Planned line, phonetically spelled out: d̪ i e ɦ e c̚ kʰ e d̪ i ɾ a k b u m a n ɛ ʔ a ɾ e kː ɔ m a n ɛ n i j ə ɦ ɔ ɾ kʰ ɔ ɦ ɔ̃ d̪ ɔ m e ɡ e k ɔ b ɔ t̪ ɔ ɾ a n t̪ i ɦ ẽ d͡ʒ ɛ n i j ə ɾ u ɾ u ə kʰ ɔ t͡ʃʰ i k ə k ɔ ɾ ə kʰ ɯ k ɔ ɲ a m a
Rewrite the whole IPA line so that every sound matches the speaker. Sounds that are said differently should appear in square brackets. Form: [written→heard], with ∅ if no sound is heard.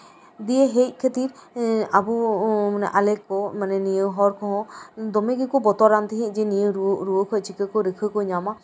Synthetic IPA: d̪ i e ɦ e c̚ kʰ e [d̪→t̪] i ɾ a [k→∅] b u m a n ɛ ʔ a [ɾ→l] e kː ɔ m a n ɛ n i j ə ɦ ɔ ɾ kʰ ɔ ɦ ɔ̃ d̪ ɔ m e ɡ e k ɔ b ɔ t̪ ɔ ɾ a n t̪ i ɦ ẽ d͡ʒ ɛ n i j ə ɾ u ɾ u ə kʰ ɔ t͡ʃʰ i k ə k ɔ ɾ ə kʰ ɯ k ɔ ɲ a m a

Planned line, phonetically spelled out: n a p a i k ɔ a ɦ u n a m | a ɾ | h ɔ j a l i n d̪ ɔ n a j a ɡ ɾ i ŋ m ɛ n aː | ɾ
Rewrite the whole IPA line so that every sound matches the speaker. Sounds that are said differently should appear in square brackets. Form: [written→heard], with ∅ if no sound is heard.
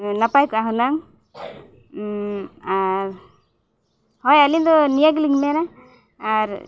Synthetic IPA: n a p a [i→j] k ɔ a ɦ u n a [m→ŋ] | a ɾ | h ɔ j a l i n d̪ ɔ n [a→i] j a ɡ [ɾ→l] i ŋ m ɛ n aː | ɾ

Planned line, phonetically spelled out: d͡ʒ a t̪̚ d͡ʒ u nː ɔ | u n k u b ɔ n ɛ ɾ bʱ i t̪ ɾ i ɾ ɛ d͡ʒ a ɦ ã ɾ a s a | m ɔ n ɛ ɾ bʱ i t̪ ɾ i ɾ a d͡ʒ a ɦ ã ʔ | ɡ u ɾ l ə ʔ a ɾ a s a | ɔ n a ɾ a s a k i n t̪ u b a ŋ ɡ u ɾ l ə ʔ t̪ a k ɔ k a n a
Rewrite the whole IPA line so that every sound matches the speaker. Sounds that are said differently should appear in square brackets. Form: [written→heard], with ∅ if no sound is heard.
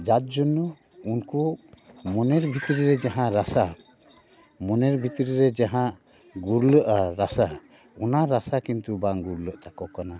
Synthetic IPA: d͡ʒ a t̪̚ d͡ʒ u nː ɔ | u n k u [b→m] ɔ n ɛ ɾ bʱ i t̪ ɾ i ɾ ɛ d͡ʒ a ɦ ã ɾ a s a | m ɔ n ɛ ɾ bʱ i t̪ ɾ i ɾ [a→ɛ] d͡ʒ a ɦ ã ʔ | ɡ u ɾ l ə ʔ a ɾ a s a | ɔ n a ɾ a s a k i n t̪ u b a ŋ ɡ u ɾ l ə ʔ t̪ a k ɔ k a n a

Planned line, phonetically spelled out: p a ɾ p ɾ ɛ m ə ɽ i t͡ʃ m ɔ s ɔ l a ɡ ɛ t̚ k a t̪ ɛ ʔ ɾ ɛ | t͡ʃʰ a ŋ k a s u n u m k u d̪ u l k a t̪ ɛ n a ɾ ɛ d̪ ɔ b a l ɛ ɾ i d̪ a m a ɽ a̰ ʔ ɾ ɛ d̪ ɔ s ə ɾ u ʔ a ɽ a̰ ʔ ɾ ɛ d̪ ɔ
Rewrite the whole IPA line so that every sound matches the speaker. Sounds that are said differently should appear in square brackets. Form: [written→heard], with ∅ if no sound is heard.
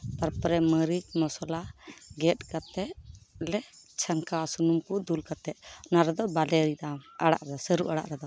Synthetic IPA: p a ɾ p ɾ ɛ m ə [ɽ→ɾ] i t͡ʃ m ɔ s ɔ l a ɡ ɛ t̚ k a t̪ ɛ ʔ [ɾ→l] ɛ | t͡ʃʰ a ŋ k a s u n u m k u d̪ u l k a t̪ ɛ n a ɾ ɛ d̪ ɔ b a l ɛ ɾ i d̪ a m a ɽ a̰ ʔ ɾ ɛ d̪ ɔ s ə ɾ u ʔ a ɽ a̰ ʔ ɾ ɛ d̪ ɔ

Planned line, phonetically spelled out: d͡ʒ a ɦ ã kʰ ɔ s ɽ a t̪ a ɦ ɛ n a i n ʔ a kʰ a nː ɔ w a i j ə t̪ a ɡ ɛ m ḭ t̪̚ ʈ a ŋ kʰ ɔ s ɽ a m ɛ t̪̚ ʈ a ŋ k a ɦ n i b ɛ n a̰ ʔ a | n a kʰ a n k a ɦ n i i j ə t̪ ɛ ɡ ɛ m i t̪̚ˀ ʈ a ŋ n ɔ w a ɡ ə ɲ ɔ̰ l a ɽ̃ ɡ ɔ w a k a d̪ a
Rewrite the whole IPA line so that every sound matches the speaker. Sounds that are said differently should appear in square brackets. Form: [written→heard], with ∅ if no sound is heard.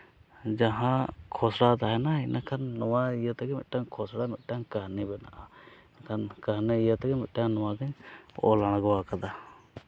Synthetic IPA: d͡ʒ a ɦ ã kʰ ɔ s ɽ a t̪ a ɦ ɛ n a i n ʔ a kʰ a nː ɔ w a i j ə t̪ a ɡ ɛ m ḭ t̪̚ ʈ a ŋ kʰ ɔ s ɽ a m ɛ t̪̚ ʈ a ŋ k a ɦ n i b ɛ n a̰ ʔ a | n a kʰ a n k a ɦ n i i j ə t̪ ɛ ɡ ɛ m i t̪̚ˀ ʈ a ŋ n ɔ w a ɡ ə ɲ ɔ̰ l a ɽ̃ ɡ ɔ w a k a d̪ a

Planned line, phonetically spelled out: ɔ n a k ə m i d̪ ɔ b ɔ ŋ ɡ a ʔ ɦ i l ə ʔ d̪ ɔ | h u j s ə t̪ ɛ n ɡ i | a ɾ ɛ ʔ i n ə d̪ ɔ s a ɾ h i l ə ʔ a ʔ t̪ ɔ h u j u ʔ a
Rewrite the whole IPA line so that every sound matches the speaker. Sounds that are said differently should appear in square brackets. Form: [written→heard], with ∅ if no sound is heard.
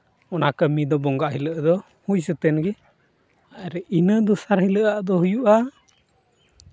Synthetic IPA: ɔ n a k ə m i d̪ ɔ b ɔ ŋ ɡ a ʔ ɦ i l ə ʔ d̪ ɔ | h u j s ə t̪ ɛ n ɡ [i→ɛ] | a ɾ ɛ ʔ i n ə d̪ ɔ s a ɾ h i l ə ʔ a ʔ [t̪→d̪] ɔ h u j u ʔ a

